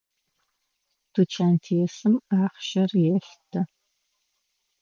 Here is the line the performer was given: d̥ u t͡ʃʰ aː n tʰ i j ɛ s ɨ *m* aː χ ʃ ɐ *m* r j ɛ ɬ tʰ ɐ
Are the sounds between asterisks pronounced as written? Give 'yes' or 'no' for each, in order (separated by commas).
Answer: yes, no